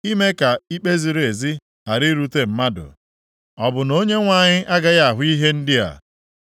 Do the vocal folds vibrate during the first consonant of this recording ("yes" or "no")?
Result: yes